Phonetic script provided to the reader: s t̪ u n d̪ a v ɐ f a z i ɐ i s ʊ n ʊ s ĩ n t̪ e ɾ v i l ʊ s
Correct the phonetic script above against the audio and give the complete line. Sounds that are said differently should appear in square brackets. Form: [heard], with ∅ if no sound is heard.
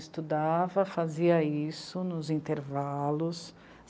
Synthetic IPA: s t̪ u [∅] d̪ a v ɐ f a z i ɐ i s ʊ n ʊ [z] ĩ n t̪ e ɾ v [a] l ʊ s